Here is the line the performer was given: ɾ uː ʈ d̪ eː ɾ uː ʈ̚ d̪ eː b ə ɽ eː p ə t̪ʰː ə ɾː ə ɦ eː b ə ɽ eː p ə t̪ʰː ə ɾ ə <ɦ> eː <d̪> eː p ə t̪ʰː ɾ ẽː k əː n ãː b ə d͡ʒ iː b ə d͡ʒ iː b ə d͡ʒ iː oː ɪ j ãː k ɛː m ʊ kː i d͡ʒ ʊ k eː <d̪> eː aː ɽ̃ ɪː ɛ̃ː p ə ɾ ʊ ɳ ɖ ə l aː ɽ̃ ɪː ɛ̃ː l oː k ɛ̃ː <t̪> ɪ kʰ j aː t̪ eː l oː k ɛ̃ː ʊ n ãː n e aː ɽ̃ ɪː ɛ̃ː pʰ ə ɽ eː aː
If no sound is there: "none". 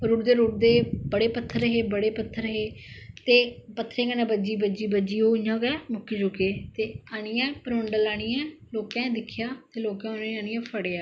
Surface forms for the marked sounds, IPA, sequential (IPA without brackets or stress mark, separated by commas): ɦ, t̪, t̪, d̪